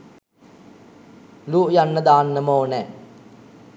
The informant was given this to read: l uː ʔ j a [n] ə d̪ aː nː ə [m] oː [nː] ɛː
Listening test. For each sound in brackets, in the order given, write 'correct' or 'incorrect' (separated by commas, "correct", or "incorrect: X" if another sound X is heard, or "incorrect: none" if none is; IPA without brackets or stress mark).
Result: incorrect: nː, correct, incorrect: n